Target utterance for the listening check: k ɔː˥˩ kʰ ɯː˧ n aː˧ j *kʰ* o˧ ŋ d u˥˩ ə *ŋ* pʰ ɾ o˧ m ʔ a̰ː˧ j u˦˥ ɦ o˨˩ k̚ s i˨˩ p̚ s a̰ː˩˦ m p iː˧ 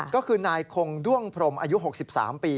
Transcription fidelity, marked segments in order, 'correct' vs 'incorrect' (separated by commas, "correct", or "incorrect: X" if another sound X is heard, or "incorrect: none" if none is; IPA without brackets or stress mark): correct, correct